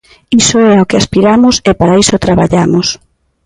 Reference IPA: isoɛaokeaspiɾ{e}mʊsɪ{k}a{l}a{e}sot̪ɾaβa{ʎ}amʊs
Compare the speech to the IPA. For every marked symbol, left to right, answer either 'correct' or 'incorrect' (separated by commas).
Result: incorrect, incorrect, incorrect, incorrect, correct